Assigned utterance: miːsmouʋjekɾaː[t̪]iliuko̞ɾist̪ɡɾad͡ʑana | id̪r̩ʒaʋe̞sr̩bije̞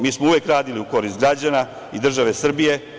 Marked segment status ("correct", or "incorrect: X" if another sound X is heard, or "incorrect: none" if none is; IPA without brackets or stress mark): incorrect: d̪